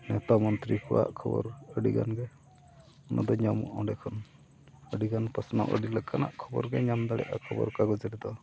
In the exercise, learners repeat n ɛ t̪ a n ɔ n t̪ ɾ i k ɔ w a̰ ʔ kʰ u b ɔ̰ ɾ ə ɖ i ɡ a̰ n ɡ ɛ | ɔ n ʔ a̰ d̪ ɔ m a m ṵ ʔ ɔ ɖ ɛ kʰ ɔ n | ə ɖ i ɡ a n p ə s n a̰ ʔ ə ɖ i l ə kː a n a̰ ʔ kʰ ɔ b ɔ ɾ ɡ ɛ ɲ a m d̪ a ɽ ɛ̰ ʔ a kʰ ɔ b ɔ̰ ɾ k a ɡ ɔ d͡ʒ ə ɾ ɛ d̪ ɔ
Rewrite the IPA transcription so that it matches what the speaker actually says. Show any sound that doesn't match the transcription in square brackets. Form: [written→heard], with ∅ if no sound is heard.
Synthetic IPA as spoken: n ɛ t̪ a [n→m] ɔ n t̪ ɾ i k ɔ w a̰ ʔ kʰ [u→ɔ] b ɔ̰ ɾ ə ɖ i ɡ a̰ n ɡ ɛ | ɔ n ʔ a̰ d̪ ɔ [m→ɲ] a m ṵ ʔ ɔ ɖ ɛ kʰ ɔ n | ə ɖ i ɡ a n p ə s n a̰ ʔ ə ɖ i l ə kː a n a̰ ʔ kʰ ɔ b ɔ ɾ ɡ ɛ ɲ a m d̪ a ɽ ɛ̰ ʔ a kʰ ɔ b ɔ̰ ɾ k a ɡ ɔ d͡ʒ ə ɾ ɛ d̪ ɔ